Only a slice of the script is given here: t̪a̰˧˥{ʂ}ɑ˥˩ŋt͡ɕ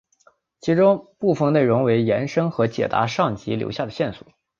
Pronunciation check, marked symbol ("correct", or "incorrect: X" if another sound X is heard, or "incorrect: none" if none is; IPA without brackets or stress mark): correct